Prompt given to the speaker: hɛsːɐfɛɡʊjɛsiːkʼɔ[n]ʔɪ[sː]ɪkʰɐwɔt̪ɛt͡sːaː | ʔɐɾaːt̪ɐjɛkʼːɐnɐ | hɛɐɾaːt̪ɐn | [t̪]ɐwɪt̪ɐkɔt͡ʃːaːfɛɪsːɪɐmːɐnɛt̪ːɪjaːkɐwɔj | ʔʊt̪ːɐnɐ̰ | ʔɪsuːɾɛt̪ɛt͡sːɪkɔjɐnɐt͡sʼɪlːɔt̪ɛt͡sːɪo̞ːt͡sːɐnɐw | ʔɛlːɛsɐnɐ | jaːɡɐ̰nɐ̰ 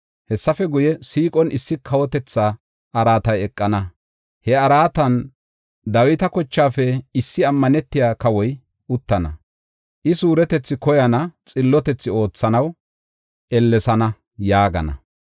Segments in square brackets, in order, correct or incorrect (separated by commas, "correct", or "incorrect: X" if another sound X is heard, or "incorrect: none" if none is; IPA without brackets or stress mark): correct, correct, incorrect: d̪